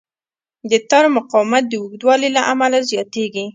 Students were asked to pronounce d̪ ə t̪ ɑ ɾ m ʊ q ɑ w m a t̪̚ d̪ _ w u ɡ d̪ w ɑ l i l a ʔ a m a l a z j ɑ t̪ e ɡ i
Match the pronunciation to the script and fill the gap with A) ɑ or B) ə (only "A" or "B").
B